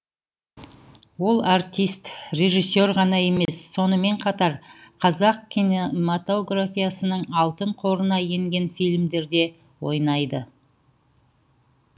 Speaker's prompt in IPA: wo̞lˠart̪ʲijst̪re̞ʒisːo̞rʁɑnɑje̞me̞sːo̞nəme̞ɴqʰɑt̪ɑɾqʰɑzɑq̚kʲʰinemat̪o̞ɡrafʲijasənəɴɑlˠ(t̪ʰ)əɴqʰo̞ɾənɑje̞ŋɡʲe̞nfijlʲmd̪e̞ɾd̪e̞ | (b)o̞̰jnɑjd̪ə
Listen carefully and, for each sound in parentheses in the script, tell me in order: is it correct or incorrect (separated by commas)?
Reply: incorrect, incorrect